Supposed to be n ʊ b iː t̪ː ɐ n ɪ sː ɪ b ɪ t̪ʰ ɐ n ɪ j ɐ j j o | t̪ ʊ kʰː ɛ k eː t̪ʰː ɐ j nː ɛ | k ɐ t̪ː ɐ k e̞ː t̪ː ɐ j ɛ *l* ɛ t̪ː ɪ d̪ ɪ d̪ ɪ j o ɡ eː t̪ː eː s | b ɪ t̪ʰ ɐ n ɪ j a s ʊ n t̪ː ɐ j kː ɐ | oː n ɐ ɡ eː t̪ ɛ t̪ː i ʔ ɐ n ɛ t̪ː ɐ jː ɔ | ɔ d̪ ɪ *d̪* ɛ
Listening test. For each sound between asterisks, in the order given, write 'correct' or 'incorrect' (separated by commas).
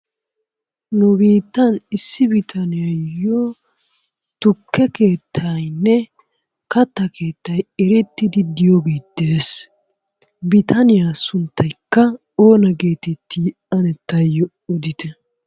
incorrect, incorrect